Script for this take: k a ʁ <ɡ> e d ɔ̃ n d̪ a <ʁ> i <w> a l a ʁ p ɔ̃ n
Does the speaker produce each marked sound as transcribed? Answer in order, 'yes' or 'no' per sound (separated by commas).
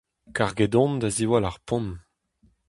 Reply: yes, no, yes